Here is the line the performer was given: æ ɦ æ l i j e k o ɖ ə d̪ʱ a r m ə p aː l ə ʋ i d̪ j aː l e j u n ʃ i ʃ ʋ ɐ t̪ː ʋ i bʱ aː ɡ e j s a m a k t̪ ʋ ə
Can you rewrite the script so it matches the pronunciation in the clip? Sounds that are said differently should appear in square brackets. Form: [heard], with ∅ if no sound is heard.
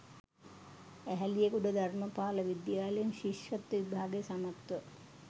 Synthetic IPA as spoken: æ ɦ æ l i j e k [u] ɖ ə d̪ʱ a r m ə p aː l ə ʋ i d̪ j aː l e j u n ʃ i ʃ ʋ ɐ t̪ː ʋ i bʱ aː ɡ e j s a m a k t̪ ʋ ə